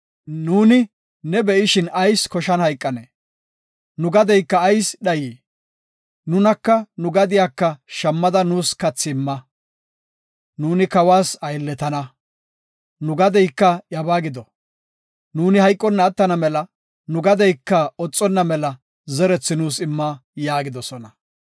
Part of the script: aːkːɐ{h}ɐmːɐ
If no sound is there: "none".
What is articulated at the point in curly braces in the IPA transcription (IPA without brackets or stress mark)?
ʃ